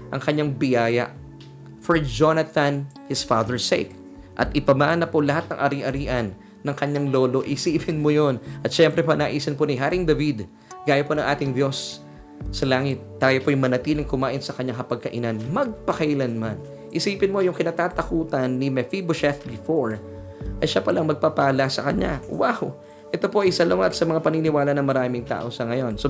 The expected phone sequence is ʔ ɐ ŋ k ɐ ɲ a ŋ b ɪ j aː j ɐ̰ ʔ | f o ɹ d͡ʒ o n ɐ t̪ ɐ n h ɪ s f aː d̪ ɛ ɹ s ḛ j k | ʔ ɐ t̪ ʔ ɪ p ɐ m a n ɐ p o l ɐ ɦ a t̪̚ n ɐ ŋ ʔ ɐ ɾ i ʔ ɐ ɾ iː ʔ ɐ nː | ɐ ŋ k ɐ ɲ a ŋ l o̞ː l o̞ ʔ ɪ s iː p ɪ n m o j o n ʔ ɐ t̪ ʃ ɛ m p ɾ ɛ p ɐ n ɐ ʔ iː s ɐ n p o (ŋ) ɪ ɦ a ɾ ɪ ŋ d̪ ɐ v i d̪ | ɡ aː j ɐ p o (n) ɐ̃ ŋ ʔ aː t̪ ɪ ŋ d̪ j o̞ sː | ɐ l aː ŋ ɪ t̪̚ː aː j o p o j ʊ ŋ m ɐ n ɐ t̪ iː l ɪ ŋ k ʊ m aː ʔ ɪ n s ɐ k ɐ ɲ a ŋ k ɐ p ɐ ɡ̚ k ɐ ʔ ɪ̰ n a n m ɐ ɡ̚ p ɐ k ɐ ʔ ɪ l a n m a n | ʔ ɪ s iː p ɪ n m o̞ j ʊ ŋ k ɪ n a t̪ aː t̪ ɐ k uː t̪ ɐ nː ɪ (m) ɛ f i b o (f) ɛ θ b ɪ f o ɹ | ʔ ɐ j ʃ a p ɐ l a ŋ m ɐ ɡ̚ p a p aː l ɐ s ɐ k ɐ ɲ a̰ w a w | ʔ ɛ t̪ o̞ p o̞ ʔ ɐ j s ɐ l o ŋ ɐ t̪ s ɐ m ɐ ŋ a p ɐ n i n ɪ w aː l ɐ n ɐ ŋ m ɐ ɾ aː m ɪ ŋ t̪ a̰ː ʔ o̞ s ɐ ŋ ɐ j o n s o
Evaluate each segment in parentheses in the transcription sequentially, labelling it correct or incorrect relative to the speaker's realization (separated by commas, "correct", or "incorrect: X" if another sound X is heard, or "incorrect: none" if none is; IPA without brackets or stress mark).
incorrect: n, correct, correct, incorrect: ʃ